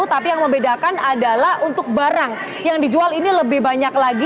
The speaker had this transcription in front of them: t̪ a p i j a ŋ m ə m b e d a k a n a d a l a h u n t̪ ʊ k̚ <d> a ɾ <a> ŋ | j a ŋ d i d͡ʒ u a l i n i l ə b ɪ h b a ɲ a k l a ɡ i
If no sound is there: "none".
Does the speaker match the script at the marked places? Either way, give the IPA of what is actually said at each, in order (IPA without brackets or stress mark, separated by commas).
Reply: b, a